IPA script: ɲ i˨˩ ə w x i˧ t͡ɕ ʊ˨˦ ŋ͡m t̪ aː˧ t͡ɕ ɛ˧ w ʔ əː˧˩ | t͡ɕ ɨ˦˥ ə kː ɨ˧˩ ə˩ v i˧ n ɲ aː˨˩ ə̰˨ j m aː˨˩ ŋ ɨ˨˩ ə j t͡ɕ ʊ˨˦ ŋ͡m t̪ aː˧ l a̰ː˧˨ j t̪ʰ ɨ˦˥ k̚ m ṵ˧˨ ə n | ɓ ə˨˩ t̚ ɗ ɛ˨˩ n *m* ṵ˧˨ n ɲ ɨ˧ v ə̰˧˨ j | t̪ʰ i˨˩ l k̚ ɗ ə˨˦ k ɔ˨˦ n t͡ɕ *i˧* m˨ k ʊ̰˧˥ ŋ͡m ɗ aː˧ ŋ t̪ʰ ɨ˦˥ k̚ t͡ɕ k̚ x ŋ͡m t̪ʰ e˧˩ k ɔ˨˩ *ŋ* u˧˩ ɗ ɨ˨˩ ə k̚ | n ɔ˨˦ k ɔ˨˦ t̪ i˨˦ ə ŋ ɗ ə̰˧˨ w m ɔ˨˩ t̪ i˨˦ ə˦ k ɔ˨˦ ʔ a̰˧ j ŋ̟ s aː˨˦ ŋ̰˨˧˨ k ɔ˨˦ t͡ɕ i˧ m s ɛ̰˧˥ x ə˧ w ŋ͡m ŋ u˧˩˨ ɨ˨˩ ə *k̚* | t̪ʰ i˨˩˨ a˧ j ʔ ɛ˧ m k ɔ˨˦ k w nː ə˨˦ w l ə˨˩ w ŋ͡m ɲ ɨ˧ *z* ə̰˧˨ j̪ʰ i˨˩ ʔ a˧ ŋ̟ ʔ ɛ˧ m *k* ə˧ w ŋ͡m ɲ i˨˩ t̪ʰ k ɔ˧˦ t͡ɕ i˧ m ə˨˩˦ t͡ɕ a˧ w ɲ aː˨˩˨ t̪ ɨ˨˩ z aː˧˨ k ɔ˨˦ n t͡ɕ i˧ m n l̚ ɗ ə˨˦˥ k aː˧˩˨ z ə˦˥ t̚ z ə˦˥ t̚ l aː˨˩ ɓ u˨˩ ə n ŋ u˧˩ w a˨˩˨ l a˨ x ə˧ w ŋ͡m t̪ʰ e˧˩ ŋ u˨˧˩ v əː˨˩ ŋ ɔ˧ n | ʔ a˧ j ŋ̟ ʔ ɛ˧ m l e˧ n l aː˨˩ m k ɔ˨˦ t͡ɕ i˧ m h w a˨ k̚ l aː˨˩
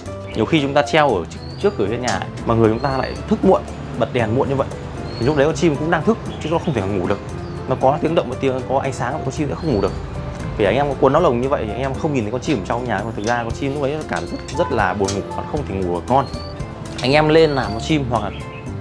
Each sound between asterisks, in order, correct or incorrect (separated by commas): correct, correct, correct, correct, incorrect, incorrect